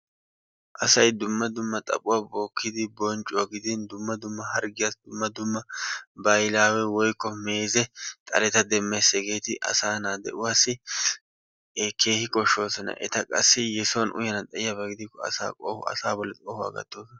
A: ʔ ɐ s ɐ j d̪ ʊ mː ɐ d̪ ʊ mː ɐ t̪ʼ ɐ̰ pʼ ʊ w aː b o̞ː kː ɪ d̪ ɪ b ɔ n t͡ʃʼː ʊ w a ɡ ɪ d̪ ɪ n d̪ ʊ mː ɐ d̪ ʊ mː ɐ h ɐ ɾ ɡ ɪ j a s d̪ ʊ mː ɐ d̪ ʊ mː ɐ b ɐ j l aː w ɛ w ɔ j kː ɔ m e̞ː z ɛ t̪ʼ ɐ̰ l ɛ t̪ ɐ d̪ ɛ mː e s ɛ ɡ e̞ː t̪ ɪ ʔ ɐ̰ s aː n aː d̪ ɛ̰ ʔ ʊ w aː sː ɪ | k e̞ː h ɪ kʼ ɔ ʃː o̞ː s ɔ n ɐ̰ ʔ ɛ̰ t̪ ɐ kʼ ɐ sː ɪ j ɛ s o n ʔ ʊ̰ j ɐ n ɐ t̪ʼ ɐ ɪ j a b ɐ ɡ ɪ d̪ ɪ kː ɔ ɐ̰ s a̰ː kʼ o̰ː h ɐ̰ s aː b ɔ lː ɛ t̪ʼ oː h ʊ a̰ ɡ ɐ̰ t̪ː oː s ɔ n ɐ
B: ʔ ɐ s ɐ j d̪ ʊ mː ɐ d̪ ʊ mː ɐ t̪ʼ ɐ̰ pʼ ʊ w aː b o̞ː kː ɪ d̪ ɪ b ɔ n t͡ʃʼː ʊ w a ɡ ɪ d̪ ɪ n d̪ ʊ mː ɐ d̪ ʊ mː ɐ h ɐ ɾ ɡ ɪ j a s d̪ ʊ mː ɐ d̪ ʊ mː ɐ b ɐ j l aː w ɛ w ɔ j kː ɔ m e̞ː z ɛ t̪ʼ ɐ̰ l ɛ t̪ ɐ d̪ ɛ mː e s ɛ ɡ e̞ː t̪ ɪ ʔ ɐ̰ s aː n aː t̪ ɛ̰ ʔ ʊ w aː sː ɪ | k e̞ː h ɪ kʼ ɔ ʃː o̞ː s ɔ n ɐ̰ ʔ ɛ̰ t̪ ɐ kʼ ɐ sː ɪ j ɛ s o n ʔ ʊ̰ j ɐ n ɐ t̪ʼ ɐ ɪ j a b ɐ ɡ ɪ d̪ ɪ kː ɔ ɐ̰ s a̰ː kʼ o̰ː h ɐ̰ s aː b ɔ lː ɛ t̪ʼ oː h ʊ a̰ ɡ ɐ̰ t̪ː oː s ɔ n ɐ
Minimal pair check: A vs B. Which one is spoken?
A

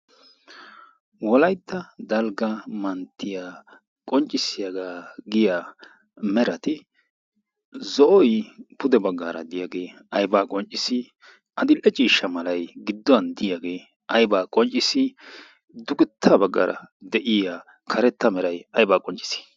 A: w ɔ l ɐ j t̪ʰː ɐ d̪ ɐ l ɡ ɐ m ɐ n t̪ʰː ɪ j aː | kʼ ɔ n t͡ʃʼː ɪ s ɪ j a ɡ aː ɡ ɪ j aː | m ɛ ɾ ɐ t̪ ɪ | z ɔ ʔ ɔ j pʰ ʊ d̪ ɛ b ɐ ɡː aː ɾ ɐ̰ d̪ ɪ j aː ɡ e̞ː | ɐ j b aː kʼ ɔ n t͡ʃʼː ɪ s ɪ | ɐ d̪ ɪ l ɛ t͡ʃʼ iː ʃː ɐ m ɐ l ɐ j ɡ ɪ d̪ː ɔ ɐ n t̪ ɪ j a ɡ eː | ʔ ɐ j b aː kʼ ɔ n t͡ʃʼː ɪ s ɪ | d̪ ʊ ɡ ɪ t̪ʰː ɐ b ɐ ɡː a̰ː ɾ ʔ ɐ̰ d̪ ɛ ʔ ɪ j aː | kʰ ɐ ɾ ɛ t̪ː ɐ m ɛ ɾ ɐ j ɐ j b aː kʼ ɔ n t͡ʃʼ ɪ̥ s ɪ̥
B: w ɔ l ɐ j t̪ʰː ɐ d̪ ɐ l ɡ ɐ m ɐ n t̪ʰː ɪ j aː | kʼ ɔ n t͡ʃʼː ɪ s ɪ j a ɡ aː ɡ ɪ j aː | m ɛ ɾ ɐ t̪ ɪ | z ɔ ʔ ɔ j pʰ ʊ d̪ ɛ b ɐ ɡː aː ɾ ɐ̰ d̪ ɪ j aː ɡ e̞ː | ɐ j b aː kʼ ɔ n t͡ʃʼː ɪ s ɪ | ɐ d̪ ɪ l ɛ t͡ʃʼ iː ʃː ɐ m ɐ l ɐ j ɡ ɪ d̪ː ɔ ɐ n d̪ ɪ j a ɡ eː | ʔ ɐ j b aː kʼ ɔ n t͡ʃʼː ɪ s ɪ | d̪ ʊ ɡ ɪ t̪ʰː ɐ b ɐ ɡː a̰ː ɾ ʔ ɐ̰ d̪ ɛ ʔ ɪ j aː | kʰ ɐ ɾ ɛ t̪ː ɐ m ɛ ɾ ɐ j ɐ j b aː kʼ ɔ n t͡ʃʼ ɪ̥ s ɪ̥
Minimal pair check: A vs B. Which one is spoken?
B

